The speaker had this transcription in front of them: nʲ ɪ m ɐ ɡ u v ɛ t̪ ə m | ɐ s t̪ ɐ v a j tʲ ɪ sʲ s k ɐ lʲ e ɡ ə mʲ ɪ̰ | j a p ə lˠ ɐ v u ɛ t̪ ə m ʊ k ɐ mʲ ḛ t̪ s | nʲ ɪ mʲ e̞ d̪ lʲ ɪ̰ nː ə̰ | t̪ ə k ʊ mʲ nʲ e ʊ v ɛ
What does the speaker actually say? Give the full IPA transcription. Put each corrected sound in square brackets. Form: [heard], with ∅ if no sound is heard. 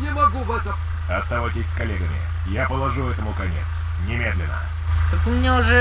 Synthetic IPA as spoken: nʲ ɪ m ɐ ɡ u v ɛ t̪ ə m | ɐ s t̪ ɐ v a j tʲ ɪ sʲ s k ɐ lʲ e ɡ ə mʲ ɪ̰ | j a p ə lˠ ɐ [ʐ] u ɛ t̪ ə m ʊ k ɐ [nʲ] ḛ t̪ s | nʲ ɪ mʲ e̞ d̪ lʲ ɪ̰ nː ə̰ | t̪ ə k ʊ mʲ nʲ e ʊ [ʐ] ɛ

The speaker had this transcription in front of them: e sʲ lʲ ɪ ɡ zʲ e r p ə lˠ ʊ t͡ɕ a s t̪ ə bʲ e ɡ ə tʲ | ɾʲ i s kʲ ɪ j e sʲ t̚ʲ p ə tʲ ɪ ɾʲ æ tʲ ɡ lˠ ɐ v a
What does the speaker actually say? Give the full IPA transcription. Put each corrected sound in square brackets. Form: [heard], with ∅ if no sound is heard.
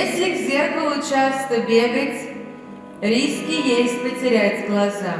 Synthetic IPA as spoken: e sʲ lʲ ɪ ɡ zʲ e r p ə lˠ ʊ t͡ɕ a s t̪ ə bʲ e ɡ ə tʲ | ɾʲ i s kʲ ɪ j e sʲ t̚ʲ p ə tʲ ɪ ɾʲ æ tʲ ɡ lˠ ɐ [z] a

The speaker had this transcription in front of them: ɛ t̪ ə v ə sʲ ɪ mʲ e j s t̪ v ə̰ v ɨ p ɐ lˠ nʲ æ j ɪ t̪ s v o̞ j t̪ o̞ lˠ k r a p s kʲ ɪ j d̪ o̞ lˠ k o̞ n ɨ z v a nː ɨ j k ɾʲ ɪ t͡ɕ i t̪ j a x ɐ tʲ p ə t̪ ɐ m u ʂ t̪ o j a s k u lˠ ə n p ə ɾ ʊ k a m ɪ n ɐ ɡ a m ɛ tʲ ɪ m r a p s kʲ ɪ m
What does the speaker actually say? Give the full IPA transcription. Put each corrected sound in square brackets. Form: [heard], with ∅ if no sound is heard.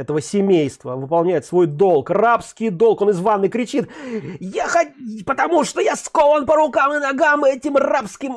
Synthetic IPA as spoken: ɛ t̪ ə v ə sʲ ɪ mʲ e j s t̪ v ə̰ v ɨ p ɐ lˠ nʲ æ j ɪ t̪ s v o̞ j [d̪] o̞ lˠ k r a p s kʲ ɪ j d̪ o̞ lˠ k o̞ n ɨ z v a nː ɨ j k ɾʲ ɪ t͡ɕ i t̪ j a x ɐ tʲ p ə t̪ ɐ m u ʂ t̪ o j a s k [o] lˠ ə n p ə ɾ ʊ k a m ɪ n ɐ ɡ a m ɛ tʲ ɪ m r a p s kʲ ɪ m

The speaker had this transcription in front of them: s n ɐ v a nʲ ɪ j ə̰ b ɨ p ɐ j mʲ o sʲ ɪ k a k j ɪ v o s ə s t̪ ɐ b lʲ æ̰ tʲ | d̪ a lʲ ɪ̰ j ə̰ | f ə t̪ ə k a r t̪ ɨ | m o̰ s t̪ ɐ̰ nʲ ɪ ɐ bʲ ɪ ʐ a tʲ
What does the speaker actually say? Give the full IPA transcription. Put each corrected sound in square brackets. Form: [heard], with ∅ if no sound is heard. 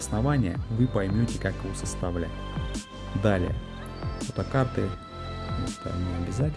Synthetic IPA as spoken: s n ɐ v a nʲ ɪ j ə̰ [v] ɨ p ɐ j mʲ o [tʲ] ɪ k a k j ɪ v o s ə s t̪ ɐ [v] lʲ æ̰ tʲ | d̪ a lʲ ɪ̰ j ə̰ | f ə t̪ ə k a r t̪ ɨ | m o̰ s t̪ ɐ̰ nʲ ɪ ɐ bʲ ɪ [z] a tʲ

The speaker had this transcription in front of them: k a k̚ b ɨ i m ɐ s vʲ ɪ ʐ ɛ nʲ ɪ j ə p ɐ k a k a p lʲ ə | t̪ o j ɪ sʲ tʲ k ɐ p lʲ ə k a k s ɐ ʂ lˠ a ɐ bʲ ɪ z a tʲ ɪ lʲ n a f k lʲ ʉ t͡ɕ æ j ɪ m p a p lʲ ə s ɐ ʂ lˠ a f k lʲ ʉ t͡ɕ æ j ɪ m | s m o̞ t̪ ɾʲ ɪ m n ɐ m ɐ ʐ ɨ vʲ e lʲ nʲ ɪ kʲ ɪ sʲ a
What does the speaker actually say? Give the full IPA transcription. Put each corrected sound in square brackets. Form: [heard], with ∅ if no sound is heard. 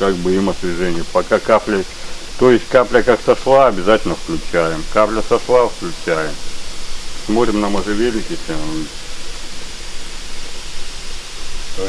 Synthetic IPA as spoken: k a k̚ b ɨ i m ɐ s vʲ ɪ ʐ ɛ nʲ ɪ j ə p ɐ k a k a p lʲ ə | t̪ o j ɪ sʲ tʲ k [a] p lʲ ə k a k s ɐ ʂ lˠ a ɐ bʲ ɪ z a tʲ ɪ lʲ n [ə] f k lʲ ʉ t͡ɕ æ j ɪ m [k] a p lʲ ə s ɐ ʂ lˠ a f k lʲ ʉ t͡ɕ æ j ɪ m | s m o̞ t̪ ɾʲ ɪ m n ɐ m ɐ ʐ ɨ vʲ e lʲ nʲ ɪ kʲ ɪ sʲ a

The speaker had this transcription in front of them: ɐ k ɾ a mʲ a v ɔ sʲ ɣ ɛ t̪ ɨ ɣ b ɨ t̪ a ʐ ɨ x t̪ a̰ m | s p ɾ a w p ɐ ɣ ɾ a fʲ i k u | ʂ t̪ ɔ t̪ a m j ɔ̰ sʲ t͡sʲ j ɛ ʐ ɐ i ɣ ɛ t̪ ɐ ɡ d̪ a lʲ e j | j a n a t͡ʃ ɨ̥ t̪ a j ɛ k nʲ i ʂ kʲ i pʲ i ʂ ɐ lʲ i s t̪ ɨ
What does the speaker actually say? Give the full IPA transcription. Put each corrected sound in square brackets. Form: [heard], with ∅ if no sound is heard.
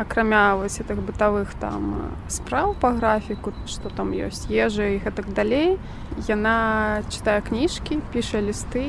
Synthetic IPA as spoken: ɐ k ɾ a mʲ a v ɔ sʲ ɣ ɛ t̪ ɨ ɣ b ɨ t̪ a [v] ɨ x t̪ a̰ m | s p ɾ a w p ɐ ɣ ɾ a fʲ i k u | ʂ t̪ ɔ t̪ a m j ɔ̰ sʲ t͡sʲ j ɛ ʐ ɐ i ɣ ɛ t̪ ɐ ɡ d̪ a lʲ e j | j a n a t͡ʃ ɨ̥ t̪ a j ɛ k nʲ i ʂ kʲ i pʲ i ʂ ɐ lʲ i s t̪ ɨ

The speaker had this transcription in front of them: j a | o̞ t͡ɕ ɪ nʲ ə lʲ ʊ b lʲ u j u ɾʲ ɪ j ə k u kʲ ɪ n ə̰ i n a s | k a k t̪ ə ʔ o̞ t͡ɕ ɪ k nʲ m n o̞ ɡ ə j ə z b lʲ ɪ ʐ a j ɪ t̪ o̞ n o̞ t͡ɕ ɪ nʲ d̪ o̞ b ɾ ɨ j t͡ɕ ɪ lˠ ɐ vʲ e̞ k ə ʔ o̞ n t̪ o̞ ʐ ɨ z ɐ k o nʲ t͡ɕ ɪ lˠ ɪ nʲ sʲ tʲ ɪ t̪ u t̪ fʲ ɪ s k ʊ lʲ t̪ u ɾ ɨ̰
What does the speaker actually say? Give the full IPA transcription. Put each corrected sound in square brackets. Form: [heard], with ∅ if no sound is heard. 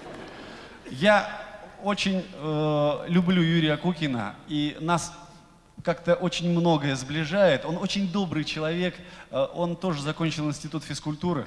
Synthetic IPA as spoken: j a | o̞ t͡ɕ ɪ nʲ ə lʲ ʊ b lʲ u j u ɾʲ ɪ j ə k u kʲ ɪ n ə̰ i n a s | k a k t̪ ə ʔ o̞ t͡ɕ ɪ [∅] nʲ m n o̞ ɡ ə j ə z b lʲ ɪ ʐ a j ɪ t̪ o̞ n o̞ t͡ɕ ɪ nʲ d̪ o̞ b ɾ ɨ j t͡ɕ ɪ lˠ ɐ vʲ e̞ k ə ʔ o̞ n t̪ o̞ ʐ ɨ z ɐ k o nʲ t͡ɕ ɪ lˠ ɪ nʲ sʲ tʲ ɪ t̪ u t̪ fʲ ɪ s k ʊ lʲ t̪ u ɾ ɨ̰

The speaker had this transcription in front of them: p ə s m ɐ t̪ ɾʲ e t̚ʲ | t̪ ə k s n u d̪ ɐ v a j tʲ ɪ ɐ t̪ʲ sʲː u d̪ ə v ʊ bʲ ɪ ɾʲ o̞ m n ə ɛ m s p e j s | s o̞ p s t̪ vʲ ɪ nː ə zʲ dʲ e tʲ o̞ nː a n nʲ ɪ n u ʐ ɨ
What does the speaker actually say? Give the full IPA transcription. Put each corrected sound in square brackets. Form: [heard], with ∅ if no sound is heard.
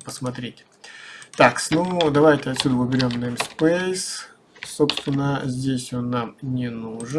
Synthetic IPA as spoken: p ə s m ɐ t̪ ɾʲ e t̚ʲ | t̪ [a] k s n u d̪ ɐ v a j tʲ ɪ ɐ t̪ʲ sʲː u d̪ ə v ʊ bʲ ɪ ɾʲ o̞ m n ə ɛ m s p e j s | s o̞ p s t̪ vʲ ɪ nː ə zʲ dʲ e [sʲ] o̞ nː a [m] nʲ ɪ n u ʐ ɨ

